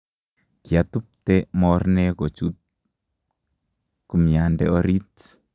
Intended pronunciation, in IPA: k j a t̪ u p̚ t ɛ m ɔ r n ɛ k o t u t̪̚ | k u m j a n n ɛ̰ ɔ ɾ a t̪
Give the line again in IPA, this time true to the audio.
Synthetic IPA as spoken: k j a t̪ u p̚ t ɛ m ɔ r n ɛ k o t͡ʃ u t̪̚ | k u m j a n d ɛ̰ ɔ ɾ i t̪